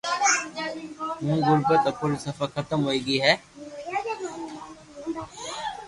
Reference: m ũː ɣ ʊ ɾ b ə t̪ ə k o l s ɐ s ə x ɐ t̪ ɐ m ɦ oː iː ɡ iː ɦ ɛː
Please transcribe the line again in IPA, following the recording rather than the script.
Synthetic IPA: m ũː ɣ ʊ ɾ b ə t̪ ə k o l s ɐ f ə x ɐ t̪ ə m ɦ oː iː ɡ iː ɦ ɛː